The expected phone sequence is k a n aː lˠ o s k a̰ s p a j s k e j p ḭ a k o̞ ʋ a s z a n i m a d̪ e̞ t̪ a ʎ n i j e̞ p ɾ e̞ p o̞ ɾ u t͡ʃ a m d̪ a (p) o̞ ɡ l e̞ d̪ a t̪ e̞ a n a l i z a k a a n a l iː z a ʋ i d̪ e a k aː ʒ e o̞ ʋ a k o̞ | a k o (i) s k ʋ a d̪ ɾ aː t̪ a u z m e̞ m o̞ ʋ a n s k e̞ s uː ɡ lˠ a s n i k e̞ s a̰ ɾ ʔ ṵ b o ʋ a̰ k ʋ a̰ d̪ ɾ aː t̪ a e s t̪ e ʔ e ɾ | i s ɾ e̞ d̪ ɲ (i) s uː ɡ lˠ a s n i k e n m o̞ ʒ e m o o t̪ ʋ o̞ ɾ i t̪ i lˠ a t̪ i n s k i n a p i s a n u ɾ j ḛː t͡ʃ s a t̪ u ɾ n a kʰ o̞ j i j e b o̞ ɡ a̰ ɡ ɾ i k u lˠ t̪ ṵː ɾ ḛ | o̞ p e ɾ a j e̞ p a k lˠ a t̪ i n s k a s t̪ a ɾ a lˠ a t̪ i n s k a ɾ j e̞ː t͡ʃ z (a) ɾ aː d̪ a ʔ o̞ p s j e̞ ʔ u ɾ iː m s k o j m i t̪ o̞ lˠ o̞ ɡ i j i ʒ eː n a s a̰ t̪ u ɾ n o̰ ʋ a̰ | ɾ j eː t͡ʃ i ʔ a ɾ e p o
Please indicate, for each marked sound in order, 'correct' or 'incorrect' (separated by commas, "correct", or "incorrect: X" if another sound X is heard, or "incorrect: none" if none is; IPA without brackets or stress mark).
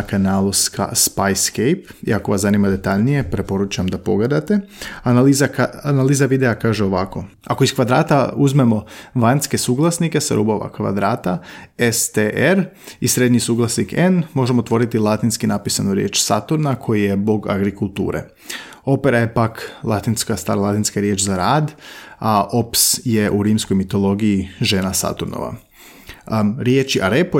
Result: correct, correct, correct, correct